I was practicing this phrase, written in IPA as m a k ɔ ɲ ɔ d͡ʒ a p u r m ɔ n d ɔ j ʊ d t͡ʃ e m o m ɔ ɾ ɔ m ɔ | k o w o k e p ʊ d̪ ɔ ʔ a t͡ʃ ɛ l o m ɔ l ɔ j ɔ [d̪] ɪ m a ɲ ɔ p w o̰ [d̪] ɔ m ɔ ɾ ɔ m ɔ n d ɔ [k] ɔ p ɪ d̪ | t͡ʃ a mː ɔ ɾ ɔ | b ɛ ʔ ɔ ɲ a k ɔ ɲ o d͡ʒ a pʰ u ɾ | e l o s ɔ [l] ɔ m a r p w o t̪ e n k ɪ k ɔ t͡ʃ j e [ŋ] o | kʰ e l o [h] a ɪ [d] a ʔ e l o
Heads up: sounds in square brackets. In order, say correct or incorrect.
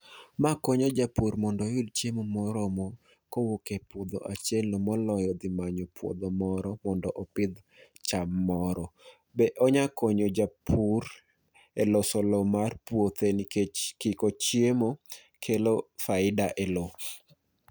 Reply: correct, correct, incorrect, correct, incorrect, incorrect, correct

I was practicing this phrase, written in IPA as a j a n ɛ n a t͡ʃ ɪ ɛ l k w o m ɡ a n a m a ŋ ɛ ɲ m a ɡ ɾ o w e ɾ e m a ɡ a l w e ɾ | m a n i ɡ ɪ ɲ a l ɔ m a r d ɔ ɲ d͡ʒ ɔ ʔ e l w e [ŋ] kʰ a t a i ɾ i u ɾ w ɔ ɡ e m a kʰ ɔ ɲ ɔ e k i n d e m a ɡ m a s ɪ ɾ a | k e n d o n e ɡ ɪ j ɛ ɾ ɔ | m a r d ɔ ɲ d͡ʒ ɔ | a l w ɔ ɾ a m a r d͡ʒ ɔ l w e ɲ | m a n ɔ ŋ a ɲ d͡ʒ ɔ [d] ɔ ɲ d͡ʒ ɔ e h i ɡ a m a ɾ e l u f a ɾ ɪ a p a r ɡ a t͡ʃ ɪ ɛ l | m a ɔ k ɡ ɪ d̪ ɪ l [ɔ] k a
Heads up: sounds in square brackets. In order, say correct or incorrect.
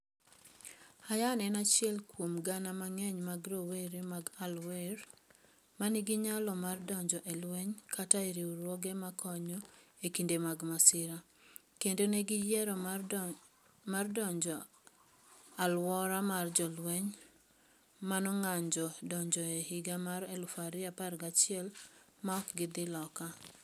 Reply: incorrect, correct, correct

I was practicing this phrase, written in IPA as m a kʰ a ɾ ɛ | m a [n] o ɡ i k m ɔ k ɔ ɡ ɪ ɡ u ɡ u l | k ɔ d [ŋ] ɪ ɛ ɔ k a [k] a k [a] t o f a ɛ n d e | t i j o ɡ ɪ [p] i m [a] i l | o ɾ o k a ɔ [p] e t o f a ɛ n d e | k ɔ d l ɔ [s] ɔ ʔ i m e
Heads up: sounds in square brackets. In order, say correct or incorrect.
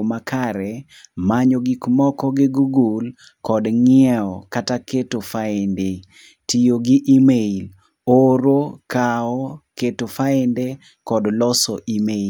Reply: incorrect, correct, incorrect, incorrect, incorrect, incorrect, incorrect, correct

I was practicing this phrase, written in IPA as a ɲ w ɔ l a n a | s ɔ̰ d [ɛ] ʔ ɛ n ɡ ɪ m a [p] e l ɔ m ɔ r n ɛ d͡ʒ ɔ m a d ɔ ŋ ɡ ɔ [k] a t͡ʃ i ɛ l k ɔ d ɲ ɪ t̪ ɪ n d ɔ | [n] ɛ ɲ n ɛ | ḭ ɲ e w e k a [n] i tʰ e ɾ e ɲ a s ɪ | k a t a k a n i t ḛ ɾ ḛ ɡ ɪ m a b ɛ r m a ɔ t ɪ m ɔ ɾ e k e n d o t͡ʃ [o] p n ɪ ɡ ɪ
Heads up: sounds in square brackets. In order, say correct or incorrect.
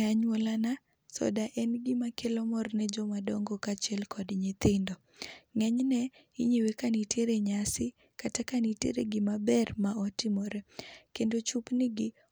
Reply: incorrect, incorrect, correct, incorrect, correct, incorrect

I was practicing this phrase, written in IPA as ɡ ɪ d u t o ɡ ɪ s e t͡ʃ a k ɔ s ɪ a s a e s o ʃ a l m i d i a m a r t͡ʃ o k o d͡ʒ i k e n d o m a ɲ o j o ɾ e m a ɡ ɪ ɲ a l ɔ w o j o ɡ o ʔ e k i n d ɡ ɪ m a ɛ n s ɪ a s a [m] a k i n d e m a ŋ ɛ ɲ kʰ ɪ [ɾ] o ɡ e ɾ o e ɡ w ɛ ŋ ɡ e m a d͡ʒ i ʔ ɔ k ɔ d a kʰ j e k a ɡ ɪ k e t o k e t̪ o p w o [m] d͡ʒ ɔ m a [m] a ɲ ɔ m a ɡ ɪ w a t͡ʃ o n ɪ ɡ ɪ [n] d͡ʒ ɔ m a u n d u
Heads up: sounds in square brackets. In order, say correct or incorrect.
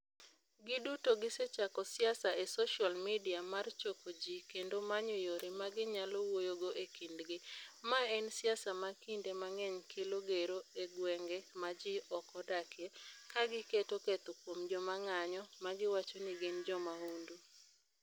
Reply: correct, incorrect, correct, incorrect, correct

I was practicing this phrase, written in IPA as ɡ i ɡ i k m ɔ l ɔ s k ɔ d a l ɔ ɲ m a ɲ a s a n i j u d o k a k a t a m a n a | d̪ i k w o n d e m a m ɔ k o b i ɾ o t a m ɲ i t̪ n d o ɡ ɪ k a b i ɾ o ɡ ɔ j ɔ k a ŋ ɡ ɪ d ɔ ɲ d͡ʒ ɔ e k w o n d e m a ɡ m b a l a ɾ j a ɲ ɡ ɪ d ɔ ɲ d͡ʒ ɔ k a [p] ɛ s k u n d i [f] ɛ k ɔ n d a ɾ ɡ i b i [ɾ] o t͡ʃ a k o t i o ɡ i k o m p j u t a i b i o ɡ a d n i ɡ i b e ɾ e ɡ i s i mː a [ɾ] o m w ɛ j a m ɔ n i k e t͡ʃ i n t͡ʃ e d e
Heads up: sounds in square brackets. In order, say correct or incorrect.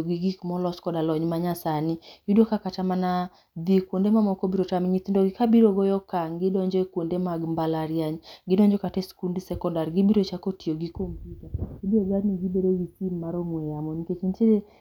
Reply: incorrect, incorrect, correct, correct

